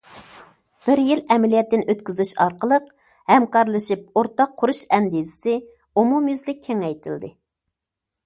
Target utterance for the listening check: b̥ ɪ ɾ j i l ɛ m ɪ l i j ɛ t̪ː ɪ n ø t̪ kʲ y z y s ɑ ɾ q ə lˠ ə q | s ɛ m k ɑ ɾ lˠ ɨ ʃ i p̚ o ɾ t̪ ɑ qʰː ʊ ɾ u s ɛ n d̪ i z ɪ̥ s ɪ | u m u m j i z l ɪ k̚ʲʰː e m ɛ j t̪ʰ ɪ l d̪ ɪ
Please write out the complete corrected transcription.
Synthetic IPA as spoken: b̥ ɪ ɾ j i l ɛ m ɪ l i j ɛ t̪ː ɪ n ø t̪ kʲ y z y ʃ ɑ ɾ q ə lˠ ə q | h ɛ m k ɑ ɾ lˠ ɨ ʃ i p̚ o ɾ t̪ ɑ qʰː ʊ ɾ u ʃ ɛ n d̪ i z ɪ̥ s ɪ | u m u m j y z l ɪ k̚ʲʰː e ŋ ɛ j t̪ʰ ɪ l d̪ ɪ

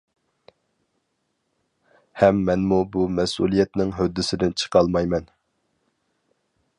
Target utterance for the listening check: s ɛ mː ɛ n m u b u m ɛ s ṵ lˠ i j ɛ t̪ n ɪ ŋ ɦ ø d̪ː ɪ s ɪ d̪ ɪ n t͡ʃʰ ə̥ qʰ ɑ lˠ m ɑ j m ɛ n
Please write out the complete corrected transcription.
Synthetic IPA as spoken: h ɛ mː ɛ n m u b u m ɛ s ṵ lˠ i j ɛ t̪ n ɪ ŋ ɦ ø d̪ː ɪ s ɪ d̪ ɪ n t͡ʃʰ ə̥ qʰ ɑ lˠ m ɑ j m ɛ n

